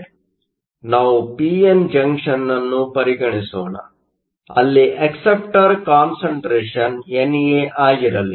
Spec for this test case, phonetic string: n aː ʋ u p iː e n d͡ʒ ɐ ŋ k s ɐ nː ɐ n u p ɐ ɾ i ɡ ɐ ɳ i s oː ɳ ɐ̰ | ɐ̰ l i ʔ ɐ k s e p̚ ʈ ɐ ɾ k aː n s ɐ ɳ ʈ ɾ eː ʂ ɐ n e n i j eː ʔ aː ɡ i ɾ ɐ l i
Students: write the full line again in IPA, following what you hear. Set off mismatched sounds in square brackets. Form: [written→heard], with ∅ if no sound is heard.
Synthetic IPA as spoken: n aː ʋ u p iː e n d͡ʒ ɐ ŋ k [s→ʂ] ɐ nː ɐ [n→nː] u p ɐ ɾ i ɡ ɐ ɳ i s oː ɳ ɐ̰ | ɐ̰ [l→lː] i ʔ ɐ k s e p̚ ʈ ɐ ɾ k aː n s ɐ ɳ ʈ ɾ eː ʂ ɐ n e n i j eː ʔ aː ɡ i ɾ ɐ l i